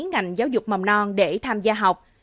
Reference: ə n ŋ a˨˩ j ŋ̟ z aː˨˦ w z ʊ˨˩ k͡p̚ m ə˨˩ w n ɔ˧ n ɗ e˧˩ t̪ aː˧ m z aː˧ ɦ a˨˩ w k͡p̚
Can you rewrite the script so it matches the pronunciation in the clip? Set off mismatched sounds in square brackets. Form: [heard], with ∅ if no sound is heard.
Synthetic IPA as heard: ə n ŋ a˨˩ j ŋ̟ z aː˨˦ w z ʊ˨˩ k͡p̚ m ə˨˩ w n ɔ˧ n ɗ e˧˩ [t̪ʰ] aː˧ m z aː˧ ɦ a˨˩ w k͡p̚